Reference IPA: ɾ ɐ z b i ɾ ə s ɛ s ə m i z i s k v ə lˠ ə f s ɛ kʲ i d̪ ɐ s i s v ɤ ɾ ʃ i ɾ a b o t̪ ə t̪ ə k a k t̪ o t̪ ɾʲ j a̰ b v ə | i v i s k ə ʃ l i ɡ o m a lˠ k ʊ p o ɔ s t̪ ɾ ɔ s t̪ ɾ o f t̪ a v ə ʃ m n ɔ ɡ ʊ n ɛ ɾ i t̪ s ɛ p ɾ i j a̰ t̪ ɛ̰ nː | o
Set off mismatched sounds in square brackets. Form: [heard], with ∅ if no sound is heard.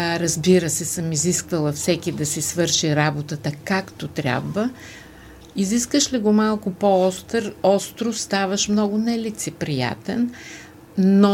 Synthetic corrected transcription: ɾ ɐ z b i ɾ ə s ɛ s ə m i z i s k v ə lˠ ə f s ɛ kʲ i d̪ ɐ s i s v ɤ ɾ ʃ i ɾ a b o t̪ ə t̪ ə k a k t̪ o t̪ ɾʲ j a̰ b v ə | i [z] i s k ə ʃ l i ɡ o m a lˠ k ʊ p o ɔ s t̪ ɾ ɔ s t̪ ɾ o [s] t̪ a v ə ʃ m n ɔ ɡ ʊ n ɛ [l] i t̪ s ɛ p ɾ i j a̰ t̪ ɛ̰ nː | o